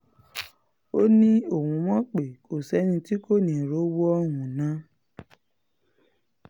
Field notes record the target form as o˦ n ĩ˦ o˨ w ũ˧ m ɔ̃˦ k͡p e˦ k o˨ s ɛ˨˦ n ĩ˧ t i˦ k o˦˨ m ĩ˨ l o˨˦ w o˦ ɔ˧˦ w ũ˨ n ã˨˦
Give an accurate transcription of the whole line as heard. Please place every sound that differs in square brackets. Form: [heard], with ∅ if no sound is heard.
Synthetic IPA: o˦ n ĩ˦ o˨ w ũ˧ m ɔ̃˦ k͡p [e˨] k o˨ s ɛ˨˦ n ĩ˧ t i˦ k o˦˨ [n] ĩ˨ [ɾ] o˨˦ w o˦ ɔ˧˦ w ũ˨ n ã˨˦